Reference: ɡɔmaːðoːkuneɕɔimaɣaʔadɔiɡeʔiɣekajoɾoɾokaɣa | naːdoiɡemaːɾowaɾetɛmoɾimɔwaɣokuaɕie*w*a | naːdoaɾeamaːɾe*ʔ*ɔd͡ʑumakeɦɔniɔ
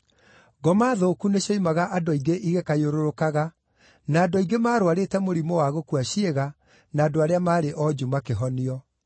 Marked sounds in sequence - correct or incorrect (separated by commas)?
incorrect, correct